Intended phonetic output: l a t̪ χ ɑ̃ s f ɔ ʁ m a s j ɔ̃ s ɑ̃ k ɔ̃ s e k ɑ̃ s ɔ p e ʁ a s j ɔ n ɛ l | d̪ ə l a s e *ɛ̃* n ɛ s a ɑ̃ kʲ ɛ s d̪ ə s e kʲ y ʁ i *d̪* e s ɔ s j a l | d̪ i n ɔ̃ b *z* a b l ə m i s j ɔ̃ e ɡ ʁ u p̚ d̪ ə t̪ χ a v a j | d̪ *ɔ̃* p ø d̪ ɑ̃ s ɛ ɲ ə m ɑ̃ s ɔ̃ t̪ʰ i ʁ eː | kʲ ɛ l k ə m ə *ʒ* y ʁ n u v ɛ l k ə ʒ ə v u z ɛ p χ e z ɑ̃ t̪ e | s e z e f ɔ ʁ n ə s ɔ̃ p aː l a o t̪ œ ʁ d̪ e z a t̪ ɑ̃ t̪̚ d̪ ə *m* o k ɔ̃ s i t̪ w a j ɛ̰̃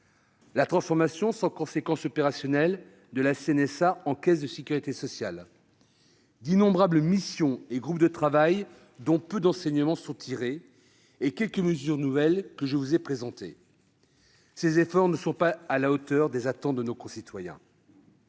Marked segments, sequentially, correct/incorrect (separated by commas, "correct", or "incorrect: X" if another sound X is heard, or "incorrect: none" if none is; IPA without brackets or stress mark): incorrect: ɛ, incorrect: t̪, incorrect: ʁ, correct, incorrect: z, incorrect: n